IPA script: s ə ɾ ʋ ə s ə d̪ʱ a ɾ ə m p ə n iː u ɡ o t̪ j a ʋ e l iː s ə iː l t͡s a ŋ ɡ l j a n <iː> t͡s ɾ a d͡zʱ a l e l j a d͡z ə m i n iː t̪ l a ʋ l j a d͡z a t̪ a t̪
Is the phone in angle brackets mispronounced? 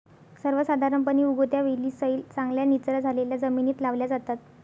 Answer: yes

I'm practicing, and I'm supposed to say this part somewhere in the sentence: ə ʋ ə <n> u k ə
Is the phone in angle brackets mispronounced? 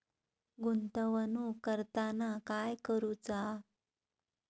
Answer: no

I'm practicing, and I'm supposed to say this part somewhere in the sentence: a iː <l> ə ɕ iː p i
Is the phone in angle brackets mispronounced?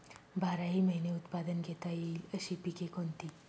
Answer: no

